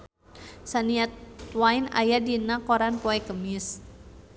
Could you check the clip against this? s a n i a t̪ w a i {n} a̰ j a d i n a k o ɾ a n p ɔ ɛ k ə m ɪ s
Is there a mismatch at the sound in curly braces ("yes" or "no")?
no